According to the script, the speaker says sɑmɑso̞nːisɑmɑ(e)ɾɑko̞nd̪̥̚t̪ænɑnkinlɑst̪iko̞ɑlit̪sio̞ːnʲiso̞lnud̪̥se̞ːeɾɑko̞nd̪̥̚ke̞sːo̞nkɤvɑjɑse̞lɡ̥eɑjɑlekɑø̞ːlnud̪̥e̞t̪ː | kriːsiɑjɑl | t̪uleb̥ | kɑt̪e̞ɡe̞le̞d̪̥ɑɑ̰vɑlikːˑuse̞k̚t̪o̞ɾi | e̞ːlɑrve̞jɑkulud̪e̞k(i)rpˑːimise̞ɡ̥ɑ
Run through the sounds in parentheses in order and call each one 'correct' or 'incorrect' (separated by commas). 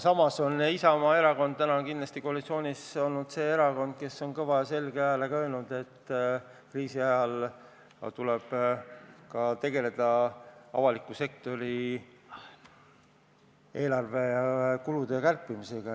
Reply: correct, incorrect